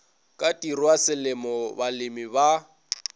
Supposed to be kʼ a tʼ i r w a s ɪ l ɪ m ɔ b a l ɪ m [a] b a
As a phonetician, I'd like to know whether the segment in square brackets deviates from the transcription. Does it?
yes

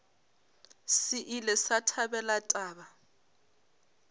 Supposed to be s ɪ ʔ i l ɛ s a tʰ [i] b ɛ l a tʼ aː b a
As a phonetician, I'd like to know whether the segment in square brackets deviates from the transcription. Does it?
yes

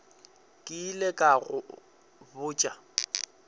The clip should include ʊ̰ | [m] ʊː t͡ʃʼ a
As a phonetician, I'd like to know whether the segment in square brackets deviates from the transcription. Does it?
yes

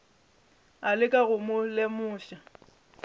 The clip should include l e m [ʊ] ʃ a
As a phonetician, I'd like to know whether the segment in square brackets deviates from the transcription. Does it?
yes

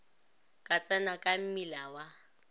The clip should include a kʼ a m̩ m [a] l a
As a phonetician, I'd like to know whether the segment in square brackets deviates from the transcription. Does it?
yes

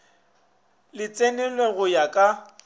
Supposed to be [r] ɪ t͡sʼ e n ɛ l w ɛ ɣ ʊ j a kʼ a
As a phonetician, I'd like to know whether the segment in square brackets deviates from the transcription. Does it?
yes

